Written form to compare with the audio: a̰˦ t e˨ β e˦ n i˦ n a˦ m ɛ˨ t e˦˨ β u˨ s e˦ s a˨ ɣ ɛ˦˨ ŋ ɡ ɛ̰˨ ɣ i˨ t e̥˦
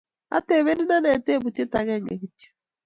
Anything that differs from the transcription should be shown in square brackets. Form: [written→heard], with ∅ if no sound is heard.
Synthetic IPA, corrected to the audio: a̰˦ t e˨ β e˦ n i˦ n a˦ [m→n] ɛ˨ t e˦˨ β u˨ [s→t] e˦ [s→t] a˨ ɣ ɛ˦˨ ŋ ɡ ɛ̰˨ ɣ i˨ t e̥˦